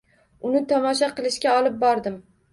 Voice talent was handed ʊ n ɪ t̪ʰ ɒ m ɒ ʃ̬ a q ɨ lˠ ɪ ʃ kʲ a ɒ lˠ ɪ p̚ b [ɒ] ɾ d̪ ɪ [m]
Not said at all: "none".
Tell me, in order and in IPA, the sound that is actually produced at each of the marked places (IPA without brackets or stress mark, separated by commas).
ɒ, m